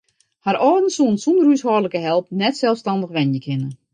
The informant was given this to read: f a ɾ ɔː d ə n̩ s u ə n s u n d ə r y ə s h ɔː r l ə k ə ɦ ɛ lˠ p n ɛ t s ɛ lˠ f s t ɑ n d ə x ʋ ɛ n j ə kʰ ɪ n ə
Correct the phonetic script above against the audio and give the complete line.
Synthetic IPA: h a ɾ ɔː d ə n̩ s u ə n s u n d ə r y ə s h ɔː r l ə k ə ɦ ɛ lˠ p n ɛ t s ɛ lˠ f s t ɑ n d ə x ʋ ɛ n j ə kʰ ɪ n ə